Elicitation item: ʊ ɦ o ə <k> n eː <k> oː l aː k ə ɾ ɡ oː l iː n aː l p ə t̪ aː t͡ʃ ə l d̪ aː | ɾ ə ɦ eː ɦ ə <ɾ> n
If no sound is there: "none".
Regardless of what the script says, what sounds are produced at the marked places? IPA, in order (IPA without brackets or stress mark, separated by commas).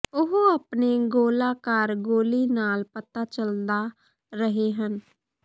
p, ɡ, none